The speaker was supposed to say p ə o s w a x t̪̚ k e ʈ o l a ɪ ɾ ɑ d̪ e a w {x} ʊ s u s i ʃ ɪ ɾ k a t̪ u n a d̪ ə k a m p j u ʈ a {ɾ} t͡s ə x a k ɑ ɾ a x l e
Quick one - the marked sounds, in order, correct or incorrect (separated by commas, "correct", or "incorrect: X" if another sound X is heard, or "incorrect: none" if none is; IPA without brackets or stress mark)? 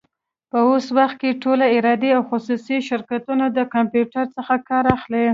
correct, correct